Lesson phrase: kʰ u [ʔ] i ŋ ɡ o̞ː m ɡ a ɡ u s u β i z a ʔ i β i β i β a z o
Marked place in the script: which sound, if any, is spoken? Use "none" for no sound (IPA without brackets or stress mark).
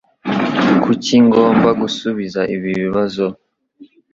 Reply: c